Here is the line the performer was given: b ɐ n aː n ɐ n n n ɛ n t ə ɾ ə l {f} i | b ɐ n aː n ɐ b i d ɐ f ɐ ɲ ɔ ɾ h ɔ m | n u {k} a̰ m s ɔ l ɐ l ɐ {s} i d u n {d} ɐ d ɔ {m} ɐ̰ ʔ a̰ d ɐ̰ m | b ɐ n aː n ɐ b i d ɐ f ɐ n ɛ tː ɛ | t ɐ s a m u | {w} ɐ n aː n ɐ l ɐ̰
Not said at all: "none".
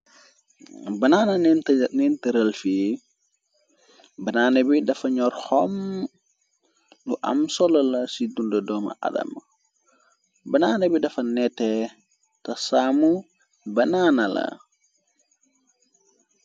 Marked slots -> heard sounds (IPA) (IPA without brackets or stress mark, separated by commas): f, ʔ, s, d, m, b